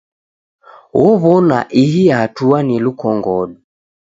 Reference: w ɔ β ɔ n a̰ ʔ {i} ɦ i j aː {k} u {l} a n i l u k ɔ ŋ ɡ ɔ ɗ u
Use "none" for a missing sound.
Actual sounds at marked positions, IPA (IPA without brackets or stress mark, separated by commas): i, t, none